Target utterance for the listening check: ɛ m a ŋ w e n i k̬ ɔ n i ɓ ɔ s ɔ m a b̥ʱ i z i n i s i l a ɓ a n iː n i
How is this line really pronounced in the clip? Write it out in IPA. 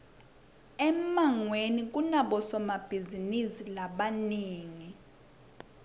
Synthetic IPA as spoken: ɛ m a ŋ w e n i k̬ u n a ɓ ɔ s ɔ m a b̥ʱ i z i n i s i l a ɓ a n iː ŋ i